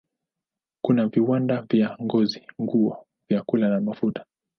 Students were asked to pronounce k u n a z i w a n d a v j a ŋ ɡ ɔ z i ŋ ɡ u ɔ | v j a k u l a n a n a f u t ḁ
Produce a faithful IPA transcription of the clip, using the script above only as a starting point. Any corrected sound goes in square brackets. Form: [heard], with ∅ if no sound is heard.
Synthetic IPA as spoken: k u n a [v] i w a n d a v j a ŋ ɡ ɔ z i ŋ ɡ u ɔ | v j a k u l a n a [m] a f u t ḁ